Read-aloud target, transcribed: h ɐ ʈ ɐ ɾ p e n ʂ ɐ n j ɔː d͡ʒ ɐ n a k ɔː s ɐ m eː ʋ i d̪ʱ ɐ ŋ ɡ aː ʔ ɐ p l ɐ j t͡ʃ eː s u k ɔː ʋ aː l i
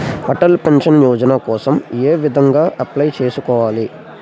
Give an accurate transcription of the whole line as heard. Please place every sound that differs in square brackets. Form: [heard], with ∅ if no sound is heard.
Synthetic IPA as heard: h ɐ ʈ ɐ [l] p e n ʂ ɐ n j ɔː d͡ʒ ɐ n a k ɔː s ɐ m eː ʋ i d̪ʱ ɐ ŋ ɡ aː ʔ ɐ p l ɐ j t͡ʃ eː s u k ɔː ʋ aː l i

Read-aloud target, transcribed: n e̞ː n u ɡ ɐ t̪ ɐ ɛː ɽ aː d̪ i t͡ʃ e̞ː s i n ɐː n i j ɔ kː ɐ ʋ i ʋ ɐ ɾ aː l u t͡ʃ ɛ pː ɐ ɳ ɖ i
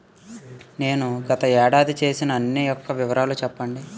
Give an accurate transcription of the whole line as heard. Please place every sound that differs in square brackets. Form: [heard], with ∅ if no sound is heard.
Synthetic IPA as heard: n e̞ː n u ɡ ɐ t̪ ɐ ɛː ɽ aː d̪ i t͡ʃ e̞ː s i n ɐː [nː] i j ɔ kː ɐ ʋ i ʋ ɐ ɾ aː l u t͡ʃ ɛ pː ɐ ɳ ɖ i

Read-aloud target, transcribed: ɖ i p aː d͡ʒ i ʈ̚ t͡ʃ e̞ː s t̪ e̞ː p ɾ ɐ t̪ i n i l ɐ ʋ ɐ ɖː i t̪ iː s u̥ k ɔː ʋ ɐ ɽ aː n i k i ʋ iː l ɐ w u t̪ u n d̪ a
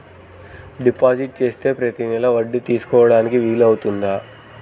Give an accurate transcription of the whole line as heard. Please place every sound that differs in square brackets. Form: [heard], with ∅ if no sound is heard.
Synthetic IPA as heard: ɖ i p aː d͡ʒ i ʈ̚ t͡ʃ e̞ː s t̪ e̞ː p ɾ ɐ t̪ i n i l ɐ ʋ ɐ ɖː i t̪ iː s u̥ k ɔː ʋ ɐ ɽ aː n i k i ʋ iː l ɐ w u t̪ u n d̪ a

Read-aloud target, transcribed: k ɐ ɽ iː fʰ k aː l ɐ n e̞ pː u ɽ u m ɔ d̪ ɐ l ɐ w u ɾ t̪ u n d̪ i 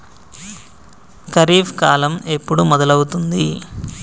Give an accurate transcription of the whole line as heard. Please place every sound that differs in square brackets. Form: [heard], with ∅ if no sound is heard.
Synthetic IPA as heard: k ɐ [ɾ] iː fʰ k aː l ɐ [m] e̞ pː u ɽ u m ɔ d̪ ɐ l ɐ w u [∅] t̪ u n d̪ i

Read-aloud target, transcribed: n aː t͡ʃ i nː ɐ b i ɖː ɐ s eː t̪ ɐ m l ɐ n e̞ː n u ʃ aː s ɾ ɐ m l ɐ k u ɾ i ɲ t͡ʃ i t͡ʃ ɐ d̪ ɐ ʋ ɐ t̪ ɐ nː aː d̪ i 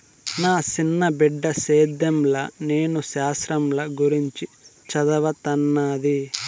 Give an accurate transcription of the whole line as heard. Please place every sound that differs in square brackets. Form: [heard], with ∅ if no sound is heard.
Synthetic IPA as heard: n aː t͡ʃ i nː ɐ b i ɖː ɐ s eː [d̪] ɐ m l ɐ n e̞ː n u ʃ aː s ɾ ɐ m l ɐ [ɡ] u ɾ i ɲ t͡ʃ i t͡ʃ ɐ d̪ ɐ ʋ ɐ t̪ ɐ nː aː d̪ i

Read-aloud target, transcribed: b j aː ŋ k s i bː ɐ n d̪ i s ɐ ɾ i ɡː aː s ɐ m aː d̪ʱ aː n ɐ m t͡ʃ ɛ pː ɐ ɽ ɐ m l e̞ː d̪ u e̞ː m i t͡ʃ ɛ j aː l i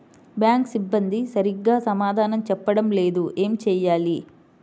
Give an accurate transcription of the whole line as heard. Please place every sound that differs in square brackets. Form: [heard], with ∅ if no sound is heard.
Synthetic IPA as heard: b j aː ŋ k s i bː ɐ n d̪ i s ɐ ɾ i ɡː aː s ɐ m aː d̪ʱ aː n ɐ m t͡ʃ ɛ pː ɐ ɽ ɐ m l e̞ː d̪ u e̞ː m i t͡ʃ [ɛː] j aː l i

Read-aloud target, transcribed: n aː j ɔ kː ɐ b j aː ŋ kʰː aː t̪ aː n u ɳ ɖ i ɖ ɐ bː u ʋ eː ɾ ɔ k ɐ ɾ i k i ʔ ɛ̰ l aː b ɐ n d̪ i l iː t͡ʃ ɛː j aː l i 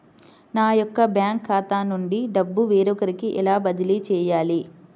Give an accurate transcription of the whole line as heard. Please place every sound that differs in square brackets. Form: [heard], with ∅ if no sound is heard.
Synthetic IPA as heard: n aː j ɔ kː ɐ b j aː ŋ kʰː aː t̪ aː n u ɳ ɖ i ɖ ɐ bː u ʋ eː ɾ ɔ k ɐ ɾ i k i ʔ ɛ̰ l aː b ɐ [∅] d̪ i l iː t͡ʃ ɛː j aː l i

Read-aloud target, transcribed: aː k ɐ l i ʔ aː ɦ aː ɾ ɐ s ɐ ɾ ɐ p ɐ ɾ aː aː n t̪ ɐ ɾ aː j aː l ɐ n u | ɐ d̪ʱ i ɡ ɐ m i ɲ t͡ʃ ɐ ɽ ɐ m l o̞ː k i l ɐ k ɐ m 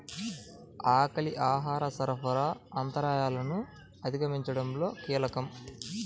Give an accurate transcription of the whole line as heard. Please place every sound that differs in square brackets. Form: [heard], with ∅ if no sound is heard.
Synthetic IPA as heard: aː k ɐ l i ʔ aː ɦ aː ɾ ɐ s ɐ ɾ ɐ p ɐ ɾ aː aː n t̪ ɐ ɾ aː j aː l ɐ n u | ɐ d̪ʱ i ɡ ɐ m i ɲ t͡ʃ ɐ ɽ ɐ m l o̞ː k [iː] l ɐ k ɐ m

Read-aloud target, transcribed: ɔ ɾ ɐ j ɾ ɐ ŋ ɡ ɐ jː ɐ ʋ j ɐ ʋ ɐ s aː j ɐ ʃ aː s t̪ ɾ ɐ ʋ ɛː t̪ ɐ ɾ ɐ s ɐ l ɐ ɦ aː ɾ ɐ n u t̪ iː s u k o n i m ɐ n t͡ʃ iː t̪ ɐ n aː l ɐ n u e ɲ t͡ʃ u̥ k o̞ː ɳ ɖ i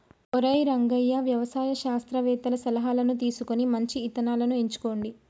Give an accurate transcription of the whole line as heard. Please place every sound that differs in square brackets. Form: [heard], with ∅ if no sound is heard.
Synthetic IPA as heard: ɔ ɾ ɐ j ɾ ɐ ŋ ɡ ɐ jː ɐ ʋ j ɐ ʋ ɐ s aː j ɐ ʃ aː s t̪ ɾ ɐ ʋ ɛː t̪ ɐ [l] ɐ s ɐ l ɐ ɦ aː [l] ɐ n u t̪ iː s u k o n i m ɐ [ɲ] t͡ʃ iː t̪ ɐ n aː l ɐ n u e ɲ t͡ʃ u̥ k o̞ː ɳ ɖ i

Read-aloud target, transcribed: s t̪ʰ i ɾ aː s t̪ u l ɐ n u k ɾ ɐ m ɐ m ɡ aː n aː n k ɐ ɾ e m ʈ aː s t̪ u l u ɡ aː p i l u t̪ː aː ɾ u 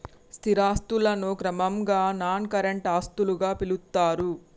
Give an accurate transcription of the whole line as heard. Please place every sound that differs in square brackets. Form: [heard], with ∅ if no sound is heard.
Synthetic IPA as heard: s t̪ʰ i ɾ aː s t̪ u l ɐ n u k ɾ ɐ m ɐ m ɡ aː n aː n k ɐ ɾ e [ɳ] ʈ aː s t̪ u l u ɡ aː p i l u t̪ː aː ɾ u

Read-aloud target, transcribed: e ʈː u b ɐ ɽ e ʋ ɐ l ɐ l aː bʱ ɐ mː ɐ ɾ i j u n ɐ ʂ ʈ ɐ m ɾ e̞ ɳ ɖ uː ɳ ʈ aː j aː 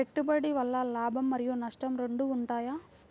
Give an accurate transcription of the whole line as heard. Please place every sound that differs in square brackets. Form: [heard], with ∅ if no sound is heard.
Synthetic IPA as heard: e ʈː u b ɐ ɽ [i] ʋ ɐ [lː] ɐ l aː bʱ ɐ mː ɐ ɾ i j u n ɐ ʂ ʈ ɐ m ɾ e̞ ɳ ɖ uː ɳ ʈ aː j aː

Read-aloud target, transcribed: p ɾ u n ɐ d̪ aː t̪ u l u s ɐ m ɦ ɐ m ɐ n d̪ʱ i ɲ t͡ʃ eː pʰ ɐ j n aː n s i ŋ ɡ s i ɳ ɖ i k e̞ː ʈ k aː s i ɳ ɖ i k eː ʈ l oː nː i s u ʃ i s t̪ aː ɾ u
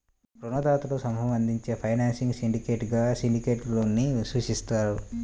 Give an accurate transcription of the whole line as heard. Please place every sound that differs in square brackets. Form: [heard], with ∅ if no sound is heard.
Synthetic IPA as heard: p ɾ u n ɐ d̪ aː t̪ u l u s ɐ m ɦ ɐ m ɐ n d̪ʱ i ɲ t͡ʃ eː pʰ ɐ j n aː n s i ŋ ɡ s i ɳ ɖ i k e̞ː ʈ [ɡ] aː s i ɳ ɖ i k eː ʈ l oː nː i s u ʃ i s t̪ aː ɾ u

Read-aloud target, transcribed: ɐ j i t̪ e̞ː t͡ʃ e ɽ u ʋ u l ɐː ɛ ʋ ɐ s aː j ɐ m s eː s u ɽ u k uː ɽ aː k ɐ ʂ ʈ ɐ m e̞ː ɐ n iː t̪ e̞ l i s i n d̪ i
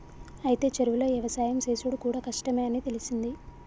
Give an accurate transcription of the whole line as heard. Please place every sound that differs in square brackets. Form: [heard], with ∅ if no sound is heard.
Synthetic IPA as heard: ɐ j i t̪ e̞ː t͡ʃ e [ɾ] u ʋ u l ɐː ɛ ʋ ɐ s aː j ɐ m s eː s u ɽ u k uː ɽ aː k ɐ ʂ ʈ ɐ m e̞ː ɐ n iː t̪ e̞ l i s i n d̪ i

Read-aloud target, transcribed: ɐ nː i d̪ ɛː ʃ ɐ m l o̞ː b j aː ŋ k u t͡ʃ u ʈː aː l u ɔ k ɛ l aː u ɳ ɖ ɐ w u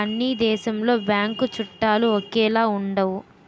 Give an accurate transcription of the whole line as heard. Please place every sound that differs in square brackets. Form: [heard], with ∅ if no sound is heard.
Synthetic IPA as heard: ɐ nː i d̪ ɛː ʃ ɐ m l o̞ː b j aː ŋ k u t͡ʃ u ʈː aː l u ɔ k [ɛː] l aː u ɳ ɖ ɐ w u

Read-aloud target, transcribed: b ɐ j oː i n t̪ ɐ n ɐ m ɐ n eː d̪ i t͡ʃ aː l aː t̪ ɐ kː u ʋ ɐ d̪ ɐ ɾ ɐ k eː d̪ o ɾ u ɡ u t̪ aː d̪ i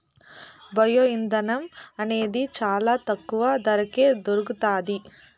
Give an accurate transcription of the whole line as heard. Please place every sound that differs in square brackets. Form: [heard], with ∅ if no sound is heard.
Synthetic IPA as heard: b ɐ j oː i n [d̪] ɐ n ɐ m ɐ n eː d̪ i t͡ʃ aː l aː t̪ ɐ kː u ʋ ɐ d̪ ɐ ɾ ɐ k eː d̪ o ɾ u ɡ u t̪ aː d̪ i

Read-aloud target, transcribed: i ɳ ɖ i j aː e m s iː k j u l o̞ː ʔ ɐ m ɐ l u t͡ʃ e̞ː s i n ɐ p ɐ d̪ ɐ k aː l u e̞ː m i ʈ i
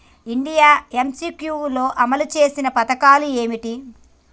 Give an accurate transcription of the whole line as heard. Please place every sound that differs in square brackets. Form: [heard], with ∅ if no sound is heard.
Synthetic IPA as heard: i ɳ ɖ i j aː e m s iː k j u l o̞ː ʔ ɐ m ɐ l u t͡ʃ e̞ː s i n ɐ p ɐ [t̪] ɐ k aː l u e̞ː m i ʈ i

